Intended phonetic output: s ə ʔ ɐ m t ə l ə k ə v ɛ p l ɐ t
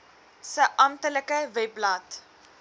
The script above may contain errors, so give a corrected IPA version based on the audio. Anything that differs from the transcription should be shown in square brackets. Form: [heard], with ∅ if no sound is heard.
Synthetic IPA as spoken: s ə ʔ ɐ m t ə l ə k ə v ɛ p l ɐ t